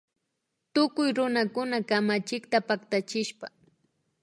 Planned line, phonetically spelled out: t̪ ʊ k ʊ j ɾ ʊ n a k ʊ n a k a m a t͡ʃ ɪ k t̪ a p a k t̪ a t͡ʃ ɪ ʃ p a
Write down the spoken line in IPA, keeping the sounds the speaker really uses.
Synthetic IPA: t̪ ʊ k ʊ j ɾ ʊ n a k ʊ n a k a m a t͡ʃ ɪ k t̪ a p a k t̪ a t͡ʃ ɪ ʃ p a

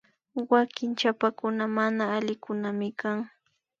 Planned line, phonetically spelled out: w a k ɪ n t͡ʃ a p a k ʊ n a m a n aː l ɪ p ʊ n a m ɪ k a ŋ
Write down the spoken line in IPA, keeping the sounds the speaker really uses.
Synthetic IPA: w a k ɪ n t͡ʃ a p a k ʊ n a m a n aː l ɪ k ʊ n a m ɪ k a ŋ

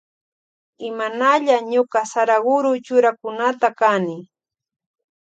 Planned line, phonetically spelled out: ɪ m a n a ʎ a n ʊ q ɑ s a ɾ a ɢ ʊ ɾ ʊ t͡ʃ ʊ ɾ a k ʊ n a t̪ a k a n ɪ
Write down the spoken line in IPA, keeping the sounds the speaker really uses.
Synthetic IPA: ɪ m a n a ʎ a ɲ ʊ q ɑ s a ɾ a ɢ ʊ ɾ ʊ t͡ʃ ʊ ɾ a k ʊ n a t̪ a k a n ɪ

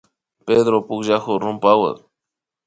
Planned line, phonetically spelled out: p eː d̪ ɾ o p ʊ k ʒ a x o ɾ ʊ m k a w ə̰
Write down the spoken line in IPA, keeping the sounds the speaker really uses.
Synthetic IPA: p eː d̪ ɾ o p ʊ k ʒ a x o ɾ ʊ m p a w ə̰

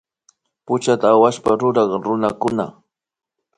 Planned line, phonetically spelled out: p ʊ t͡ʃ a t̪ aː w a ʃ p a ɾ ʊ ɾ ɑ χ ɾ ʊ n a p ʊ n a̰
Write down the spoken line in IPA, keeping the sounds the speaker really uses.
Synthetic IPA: p ʊ t͡ʃ a t̪ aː w a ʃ p a ɾ ʊ ɾ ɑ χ ɾ ʊ n a k ʊ n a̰

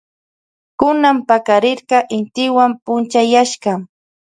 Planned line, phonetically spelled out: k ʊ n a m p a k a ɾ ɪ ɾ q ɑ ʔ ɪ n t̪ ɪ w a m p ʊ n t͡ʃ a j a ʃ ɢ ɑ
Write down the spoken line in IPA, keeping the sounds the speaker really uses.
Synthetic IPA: k ʊ n a m p a k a ɾ ɪ ɾ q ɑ ʔ ɪ n t̪ ɪ w a m p ʊ n t͡ʃ a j a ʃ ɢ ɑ

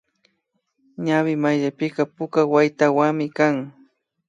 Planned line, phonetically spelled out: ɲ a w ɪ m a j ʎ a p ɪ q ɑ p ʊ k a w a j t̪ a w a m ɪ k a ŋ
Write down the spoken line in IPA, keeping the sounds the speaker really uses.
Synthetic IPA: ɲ a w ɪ m a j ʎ a p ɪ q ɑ p ʊ k a w a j t̪ a w a m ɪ k a ŋ

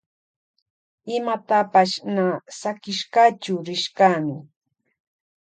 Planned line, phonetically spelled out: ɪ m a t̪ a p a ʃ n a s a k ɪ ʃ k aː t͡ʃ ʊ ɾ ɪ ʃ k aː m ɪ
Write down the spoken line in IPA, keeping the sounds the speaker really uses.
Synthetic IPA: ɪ m a t̪ a p a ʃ n a s a k ɪ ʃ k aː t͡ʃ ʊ ɾ ɪ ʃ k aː m ɪ

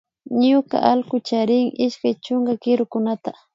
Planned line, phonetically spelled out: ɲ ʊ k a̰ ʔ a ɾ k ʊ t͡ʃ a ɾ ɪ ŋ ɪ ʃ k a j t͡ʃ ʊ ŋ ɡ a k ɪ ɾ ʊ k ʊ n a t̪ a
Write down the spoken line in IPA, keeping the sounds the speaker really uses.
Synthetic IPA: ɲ ʊ k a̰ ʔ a l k ʊ t͡ʃ a ɾ ɪ ŋ ɪ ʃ k a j t͡ʃ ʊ ŋ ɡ a k ɪ ɾ ʊ k ʊ n a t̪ a

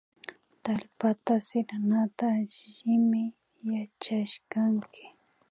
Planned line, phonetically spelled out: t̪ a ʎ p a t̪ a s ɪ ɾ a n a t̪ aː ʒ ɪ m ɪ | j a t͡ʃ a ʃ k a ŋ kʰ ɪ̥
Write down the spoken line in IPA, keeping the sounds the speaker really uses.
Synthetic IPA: t̪ a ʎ p a t̪ a s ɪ ɾ a n a t̪ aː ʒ ɪ m ɪ | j a t͡ʃ a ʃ k a ŋ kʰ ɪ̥

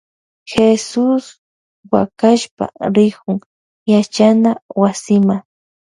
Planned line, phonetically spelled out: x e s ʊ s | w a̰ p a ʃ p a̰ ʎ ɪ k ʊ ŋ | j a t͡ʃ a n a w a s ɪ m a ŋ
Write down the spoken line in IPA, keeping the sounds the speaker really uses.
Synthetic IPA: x e s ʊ s | w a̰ k a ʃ p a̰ ɾ ɪ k ʊ ŋ | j a t͡ʃ a n a w a s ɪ m a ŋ

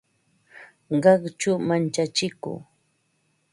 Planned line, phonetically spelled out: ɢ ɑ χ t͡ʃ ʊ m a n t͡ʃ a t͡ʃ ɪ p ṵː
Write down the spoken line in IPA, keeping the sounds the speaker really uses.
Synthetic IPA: ɢ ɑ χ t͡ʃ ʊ m a n t͡ʃ a t͡ʃ ɪ k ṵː

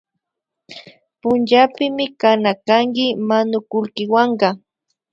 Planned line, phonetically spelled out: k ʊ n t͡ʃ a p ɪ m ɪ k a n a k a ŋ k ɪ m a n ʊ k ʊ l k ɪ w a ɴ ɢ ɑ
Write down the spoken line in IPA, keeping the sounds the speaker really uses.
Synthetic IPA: p ʊ n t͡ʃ a p ɪ m ɪ k a n a k a ŋ k ɪ m a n ʊ k ʊ l k ɪ w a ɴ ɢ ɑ

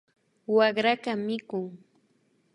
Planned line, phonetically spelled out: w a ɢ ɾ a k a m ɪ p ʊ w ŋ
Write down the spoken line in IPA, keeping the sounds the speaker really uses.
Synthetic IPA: w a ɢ ɾ a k a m ɪ k ʊ ŋ

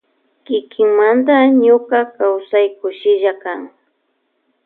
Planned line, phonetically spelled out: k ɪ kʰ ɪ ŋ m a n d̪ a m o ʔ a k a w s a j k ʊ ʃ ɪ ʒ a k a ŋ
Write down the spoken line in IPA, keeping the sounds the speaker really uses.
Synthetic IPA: k ɪ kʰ ɪ ŋ m a n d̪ a ɲ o k a k a w s a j k ʊ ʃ ɪ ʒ a k a ŋ

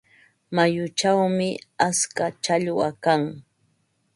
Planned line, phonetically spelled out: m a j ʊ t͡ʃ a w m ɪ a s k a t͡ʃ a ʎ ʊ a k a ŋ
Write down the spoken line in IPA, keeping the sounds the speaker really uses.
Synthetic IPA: m a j ʊ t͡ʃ a w m ɪ a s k a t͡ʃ a ʎ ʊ a k a ŋ

